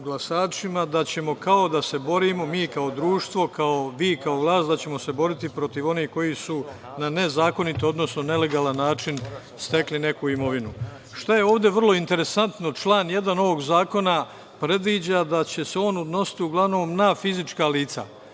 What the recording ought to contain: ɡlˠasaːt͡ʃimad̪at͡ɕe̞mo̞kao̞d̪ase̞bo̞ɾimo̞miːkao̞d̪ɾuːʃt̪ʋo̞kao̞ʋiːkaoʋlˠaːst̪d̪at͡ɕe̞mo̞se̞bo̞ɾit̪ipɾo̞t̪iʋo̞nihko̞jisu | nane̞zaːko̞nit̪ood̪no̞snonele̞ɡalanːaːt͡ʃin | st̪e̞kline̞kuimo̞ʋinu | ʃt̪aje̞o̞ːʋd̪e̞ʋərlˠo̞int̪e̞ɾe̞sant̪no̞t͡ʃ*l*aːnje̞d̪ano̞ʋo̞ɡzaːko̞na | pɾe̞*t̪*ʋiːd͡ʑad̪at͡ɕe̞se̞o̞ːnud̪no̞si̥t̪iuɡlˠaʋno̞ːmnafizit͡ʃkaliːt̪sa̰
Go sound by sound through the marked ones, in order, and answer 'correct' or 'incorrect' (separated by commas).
correct, incorrect